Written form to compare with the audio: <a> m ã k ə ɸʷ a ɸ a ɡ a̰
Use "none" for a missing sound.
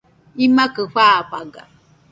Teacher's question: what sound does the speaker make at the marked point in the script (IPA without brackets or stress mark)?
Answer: i